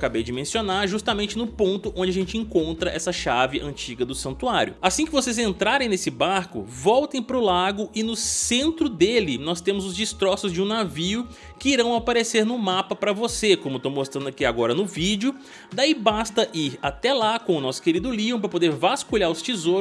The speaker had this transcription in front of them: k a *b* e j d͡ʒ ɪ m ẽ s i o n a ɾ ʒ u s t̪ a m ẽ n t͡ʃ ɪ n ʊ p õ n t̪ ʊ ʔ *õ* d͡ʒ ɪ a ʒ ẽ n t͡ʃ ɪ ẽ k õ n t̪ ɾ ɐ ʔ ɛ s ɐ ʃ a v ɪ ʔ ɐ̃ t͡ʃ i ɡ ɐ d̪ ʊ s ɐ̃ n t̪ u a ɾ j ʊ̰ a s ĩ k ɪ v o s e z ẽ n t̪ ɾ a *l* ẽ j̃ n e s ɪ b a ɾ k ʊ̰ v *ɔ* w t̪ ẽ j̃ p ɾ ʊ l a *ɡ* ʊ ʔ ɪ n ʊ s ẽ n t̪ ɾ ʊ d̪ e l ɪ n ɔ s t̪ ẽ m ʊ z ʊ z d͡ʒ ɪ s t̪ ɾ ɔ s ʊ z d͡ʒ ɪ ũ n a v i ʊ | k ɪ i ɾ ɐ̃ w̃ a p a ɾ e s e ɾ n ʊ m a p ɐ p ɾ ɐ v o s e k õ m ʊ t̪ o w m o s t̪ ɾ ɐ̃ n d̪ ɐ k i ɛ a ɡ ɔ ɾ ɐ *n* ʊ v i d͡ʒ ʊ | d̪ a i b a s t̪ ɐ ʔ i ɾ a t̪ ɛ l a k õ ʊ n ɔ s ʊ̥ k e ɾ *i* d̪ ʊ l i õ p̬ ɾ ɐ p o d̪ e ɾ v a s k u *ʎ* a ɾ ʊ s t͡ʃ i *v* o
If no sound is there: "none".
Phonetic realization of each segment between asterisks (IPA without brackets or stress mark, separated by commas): b, õ, ɾ, ɔ, ɡ, n, i, ʎ, z